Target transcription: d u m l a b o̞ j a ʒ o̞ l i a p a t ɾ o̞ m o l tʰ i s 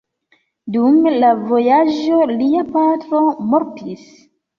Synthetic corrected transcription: d u m l a v o̞ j a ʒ o̞ l i a p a t ɾ o̞ m o ɾ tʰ i s